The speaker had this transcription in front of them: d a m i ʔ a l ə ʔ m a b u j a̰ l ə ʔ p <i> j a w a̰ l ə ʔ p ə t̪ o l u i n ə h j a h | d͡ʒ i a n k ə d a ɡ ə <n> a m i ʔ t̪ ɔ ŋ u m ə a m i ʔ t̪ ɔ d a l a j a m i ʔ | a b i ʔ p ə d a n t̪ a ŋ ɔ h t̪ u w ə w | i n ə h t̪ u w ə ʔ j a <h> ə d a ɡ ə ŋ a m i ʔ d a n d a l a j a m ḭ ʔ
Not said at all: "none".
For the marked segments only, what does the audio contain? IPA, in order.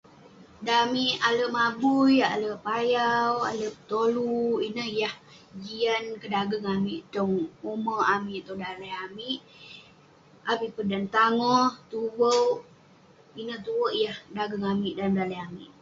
a, ŋ, h

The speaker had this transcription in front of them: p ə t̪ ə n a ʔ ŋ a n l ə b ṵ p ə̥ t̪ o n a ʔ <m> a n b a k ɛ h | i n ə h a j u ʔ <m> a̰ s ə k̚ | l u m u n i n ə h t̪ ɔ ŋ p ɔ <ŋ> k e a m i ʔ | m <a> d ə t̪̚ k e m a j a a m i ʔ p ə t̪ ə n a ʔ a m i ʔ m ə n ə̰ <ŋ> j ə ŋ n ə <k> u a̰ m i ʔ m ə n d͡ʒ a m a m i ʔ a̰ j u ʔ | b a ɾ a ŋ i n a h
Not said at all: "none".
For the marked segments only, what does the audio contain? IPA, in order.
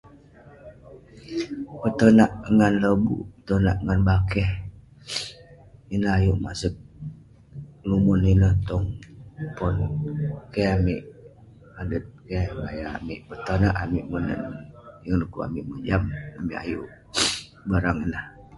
ŋ, m, n, a, n, k

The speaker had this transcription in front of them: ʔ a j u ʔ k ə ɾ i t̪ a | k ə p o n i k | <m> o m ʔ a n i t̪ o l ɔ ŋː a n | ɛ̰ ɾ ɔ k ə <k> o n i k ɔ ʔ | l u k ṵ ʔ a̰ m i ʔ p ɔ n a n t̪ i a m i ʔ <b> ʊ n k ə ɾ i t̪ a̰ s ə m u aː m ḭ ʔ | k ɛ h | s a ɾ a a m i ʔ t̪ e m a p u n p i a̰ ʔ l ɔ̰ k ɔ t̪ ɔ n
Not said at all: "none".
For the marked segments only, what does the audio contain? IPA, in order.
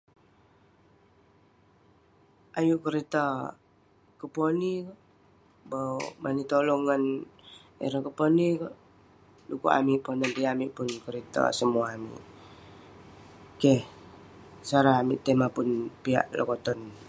b, p, p

